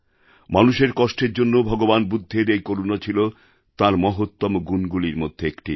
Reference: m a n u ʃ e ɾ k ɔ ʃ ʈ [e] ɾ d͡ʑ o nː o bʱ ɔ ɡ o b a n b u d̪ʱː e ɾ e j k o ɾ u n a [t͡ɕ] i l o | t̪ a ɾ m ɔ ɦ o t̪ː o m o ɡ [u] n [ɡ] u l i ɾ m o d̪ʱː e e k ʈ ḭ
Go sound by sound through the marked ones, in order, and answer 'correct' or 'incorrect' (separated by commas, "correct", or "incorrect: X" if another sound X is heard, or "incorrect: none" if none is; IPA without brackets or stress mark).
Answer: correct, incorrect: t͡ɕʰ, correct, correct